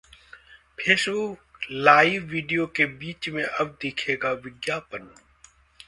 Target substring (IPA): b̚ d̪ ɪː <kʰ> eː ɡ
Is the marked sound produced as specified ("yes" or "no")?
yes